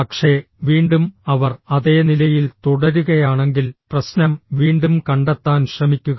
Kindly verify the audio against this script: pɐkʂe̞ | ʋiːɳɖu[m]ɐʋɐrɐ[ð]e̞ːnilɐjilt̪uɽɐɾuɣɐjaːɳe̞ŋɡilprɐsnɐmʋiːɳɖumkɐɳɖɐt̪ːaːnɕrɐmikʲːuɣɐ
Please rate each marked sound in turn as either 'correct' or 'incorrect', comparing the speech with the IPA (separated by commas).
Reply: correct, correct